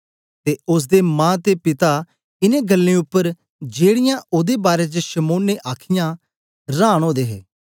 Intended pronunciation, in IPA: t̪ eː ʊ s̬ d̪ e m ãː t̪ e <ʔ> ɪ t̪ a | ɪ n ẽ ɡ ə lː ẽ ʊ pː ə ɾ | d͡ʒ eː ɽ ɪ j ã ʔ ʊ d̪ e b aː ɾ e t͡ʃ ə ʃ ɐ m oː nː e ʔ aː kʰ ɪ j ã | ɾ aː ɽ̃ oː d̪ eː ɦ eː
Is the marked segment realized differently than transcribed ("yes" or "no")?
yes